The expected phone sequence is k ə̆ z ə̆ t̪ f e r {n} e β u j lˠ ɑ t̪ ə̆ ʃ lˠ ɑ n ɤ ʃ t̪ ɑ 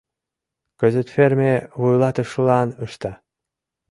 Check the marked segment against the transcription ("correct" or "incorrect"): incorrect